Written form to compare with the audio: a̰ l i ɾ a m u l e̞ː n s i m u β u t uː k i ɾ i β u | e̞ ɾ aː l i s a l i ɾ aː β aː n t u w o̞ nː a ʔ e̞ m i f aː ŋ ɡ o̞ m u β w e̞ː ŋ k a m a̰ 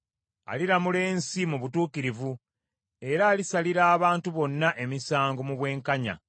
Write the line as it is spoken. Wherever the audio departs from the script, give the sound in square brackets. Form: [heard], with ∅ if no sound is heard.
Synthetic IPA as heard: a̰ l i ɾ a m u l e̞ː n s i m u β u t uː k i ɾ i [v] u | e̞ ɾ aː l i s a l i ɾ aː β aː n t u [β] o̞ nː a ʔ e̞ m i [s] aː ŋ ɡ o̞ m u β w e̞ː ŋ k a [ɲ] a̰

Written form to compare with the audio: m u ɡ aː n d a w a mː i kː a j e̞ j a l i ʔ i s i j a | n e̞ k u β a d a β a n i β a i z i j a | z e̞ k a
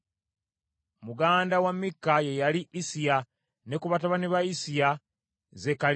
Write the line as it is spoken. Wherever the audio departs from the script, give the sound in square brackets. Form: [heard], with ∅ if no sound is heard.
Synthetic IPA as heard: m u ɡ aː n d a w a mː i kː a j e̞ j a l i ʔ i s i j a | n e̞ k u β a [t] a β a n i β a i [s] i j a | z e̞ k a

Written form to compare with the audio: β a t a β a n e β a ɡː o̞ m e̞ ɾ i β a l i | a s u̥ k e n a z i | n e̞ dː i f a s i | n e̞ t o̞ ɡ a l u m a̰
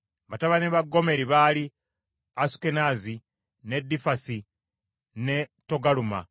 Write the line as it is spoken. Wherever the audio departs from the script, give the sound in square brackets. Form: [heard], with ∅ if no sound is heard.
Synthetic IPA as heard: β a t a β a n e β a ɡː o̞ m e̞ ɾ i β a l i | a s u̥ k e n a z i | n e̞ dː i f a s i | n e̞ t o̞ ɡ a l u m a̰

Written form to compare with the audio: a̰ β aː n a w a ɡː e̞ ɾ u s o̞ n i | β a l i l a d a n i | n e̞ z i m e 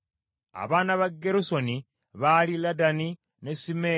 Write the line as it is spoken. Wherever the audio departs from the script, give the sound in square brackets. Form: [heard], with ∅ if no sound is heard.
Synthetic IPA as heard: a̰ β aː n a [β] a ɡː e̞ ɾ u s o̞ n i | β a l i l a d a n i | n e̞ [s] i m e

